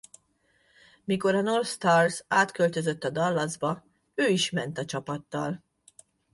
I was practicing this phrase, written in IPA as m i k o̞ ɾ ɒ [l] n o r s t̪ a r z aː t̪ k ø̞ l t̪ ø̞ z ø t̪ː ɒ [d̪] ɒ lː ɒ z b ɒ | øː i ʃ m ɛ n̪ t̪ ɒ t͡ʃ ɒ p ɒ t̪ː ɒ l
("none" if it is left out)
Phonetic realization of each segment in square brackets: none, d̪

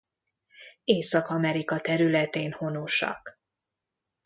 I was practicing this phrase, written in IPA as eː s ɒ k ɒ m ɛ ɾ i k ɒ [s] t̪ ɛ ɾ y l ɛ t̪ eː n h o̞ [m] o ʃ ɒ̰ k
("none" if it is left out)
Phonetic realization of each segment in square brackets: none, n

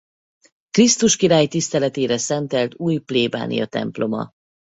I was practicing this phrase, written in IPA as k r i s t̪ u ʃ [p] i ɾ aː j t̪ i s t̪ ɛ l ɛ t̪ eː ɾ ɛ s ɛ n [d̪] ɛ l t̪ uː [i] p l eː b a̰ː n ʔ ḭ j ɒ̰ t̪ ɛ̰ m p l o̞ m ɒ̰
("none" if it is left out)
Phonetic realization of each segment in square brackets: k, t̪, j

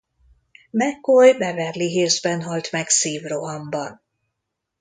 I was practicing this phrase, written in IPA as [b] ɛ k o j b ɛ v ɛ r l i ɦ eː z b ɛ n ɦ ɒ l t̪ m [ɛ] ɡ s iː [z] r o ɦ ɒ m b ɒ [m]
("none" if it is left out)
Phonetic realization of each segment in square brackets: m, ɛ, v, n

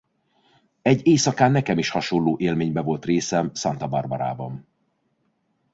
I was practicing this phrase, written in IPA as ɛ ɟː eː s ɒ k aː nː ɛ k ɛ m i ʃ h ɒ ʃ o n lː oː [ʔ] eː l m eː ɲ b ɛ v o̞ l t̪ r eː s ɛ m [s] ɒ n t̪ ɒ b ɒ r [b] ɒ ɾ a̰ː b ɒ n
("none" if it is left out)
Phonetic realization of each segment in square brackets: ʔ, s, b

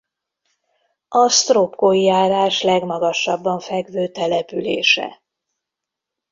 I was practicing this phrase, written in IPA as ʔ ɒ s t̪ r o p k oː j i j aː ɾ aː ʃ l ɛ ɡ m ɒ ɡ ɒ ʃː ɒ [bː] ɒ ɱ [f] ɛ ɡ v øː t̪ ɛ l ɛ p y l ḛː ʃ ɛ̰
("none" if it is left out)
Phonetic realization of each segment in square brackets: bː, f

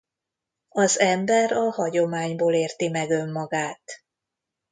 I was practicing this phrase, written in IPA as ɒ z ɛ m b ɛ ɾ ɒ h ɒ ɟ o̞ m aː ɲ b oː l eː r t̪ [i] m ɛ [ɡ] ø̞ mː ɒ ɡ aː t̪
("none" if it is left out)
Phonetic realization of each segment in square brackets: i, ɡ

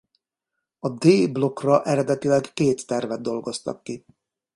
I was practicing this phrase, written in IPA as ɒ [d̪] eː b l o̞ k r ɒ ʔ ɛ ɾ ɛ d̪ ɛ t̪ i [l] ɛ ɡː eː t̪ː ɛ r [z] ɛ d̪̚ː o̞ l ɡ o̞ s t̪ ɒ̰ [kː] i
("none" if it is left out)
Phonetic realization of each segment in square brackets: d̪, l, v, kː

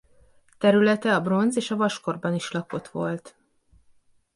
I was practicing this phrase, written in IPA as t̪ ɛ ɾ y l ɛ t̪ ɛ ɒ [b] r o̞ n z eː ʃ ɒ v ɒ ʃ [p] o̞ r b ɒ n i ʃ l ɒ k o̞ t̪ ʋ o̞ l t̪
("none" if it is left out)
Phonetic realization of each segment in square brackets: b, k

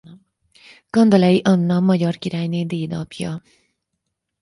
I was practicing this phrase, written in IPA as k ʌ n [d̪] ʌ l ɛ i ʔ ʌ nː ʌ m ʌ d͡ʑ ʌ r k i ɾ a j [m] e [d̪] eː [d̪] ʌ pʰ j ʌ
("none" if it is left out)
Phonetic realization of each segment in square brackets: d̪, n, d̪, d̪

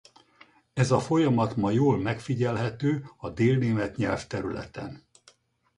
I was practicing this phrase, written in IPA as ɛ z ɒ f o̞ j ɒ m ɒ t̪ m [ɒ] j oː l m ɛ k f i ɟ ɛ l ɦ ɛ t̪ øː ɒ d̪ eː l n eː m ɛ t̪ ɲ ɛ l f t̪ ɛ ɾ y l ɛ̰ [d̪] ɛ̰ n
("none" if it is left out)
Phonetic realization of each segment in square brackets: ɒ, t̪

